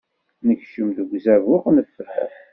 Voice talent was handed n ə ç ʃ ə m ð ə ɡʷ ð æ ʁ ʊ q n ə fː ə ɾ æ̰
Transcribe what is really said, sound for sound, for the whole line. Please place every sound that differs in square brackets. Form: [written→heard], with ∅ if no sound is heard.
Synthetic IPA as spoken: n ə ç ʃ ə m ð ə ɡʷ [ð→z] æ [ʁ→v] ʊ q n ə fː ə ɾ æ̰